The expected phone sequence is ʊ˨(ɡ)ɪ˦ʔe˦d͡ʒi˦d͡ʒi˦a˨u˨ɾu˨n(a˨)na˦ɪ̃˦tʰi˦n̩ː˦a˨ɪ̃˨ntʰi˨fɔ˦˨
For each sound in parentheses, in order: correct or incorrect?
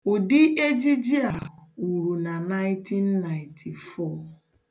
incorrect, correct

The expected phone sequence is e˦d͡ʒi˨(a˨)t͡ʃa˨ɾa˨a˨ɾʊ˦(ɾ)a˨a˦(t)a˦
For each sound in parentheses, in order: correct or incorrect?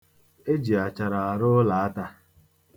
correct, incorrect, correct

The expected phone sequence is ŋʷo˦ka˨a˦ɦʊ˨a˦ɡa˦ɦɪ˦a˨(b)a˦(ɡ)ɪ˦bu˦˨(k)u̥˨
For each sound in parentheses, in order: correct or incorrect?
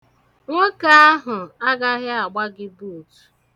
incorrect, correct, incorrect

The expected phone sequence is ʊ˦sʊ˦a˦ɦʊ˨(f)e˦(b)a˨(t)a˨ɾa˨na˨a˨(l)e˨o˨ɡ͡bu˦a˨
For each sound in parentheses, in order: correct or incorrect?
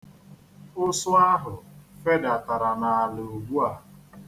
correct, incorrect, correct, correct

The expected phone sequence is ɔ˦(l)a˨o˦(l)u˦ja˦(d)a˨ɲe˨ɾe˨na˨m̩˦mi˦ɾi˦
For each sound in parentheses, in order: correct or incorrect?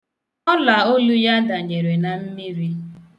correct, correct, correct

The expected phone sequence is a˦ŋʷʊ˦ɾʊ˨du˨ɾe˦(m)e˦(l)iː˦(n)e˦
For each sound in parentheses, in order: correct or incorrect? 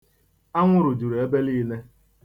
incorrect, correct, correct

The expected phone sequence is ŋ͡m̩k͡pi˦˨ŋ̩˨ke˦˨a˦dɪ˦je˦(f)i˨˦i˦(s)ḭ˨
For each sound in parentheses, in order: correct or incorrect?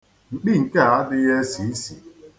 incorrect, correct

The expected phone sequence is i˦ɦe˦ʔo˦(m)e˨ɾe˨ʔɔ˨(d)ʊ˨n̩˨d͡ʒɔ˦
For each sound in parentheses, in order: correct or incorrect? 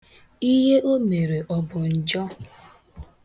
correct, incorrect

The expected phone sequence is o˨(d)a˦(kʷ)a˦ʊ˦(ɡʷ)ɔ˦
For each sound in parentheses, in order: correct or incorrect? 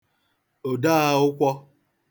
correct, incorrect, incorrect

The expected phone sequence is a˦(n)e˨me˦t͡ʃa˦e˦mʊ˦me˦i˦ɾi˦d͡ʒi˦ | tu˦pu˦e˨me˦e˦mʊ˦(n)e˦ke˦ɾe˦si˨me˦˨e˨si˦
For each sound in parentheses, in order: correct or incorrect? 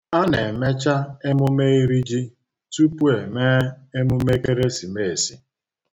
correct, incorrect

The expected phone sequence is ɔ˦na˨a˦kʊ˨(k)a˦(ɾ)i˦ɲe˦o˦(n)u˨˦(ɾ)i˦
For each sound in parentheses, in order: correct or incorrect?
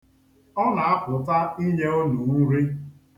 incorrect, incorrect, correct, correct

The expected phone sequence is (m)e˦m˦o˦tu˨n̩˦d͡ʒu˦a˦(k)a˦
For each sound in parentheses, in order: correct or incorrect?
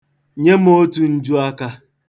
incorrect, correct

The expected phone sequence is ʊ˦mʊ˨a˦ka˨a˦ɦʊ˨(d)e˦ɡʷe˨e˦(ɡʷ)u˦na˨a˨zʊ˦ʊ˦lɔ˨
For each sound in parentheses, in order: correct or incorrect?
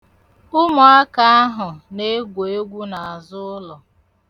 incorrect, correct

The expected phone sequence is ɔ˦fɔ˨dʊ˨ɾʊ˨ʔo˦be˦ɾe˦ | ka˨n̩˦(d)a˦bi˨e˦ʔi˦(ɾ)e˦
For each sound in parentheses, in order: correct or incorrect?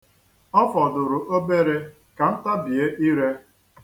incorrect, correct

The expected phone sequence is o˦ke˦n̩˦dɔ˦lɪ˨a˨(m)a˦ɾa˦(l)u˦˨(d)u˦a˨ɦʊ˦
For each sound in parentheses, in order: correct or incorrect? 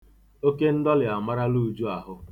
correct, correct, incorrect

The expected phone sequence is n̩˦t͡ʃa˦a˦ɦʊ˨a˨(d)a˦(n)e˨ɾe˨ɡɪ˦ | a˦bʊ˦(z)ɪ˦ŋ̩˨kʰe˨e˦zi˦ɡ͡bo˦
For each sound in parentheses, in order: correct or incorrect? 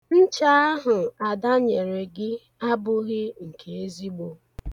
correct, incorrect, incorrect

